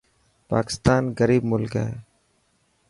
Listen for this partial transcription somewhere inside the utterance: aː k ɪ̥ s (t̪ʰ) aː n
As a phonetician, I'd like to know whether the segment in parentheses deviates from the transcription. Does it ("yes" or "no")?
yes